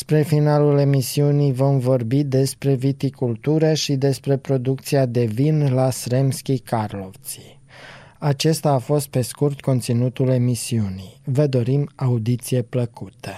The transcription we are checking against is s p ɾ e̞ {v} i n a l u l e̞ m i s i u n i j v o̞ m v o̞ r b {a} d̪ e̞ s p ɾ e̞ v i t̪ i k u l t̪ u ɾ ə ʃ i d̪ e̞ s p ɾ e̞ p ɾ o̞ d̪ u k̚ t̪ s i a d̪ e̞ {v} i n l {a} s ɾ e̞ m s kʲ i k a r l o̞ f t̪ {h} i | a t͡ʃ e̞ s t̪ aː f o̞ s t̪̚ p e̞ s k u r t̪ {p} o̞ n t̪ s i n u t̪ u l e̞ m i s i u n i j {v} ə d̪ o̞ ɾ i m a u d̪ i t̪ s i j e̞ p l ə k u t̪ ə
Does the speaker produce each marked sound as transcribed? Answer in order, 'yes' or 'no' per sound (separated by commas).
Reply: no, no, yes, yes, no, no, yes